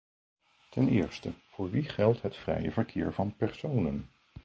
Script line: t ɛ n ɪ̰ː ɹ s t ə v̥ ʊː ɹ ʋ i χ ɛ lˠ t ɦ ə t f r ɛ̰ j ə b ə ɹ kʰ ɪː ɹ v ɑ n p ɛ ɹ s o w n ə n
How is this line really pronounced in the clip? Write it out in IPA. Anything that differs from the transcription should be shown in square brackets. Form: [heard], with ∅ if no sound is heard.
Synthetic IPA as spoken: t ɛ n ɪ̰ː ɹ s t ə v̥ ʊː ɹ ʋ i χ ɛ lˠ t ɦ ə t f r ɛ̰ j ə [v] ə ɹ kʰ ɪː ɹ v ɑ n p ɛ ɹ s o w n ə n